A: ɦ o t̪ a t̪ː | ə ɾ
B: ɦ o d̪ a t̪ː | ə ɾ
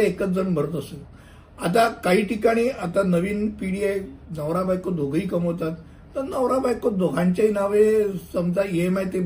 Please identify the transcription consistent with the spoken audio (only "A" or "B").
A